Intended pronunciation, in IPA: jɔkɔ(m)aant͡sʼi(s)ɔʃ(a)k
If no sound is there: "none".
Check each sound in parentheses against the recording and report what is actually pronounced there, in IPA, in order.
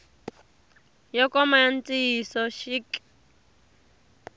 m, s, i

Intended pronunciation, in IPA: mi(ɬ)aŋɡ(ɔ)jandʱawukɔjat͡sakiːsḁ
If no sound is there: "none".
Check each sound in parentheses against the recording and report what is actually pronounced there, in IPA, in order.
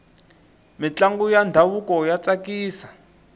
t͡ɬ, u

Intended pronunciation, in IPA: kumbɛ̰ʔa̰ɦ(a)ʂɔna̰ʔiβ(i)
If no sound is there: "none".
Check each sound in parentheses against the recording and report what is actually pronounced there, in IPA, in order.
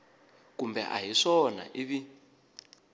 i, i

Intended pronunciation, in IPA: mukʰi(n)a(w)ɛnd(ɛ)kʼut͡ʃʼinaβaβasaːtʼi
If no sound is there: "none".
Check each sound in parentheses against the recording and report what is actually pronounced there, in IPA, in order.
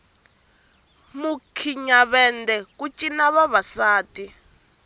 ɲ, β, ɛ

